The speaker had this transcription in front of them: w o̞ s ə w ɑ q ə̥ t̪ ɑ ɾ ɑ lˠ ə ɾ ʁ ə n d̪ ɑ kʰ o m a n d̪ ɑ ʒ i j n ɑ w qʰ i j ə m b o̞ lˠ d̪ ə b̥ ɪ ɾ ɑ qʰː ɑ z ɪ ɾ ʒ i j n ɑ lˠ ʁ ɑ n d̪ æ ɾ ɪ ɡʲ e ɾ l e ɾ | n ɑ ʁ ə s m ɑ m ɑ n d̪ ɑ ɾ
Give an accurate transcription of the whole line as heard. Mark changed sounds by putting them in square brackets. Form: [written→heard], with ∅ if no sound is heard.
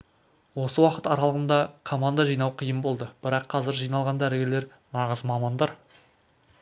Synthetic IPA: w o̞ s ə w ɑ q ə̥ t̪ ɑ ɾ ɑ lˠ ə [ɾ→∅] ʁ ə n d̪ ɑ kʰ o m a n d̪ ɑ ʒ i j n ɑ w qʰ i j ə m b o̞ lˠ d̪ ə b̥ ɪ ɾ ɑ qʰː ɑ z ɪ ɾ ʒ i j n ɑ lˠ ʁ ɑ n d̪ æ ɾ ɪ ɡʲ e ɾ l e ɾ | n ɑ ʁ ə [s→z] m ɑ m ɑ n d̪ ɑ ɾ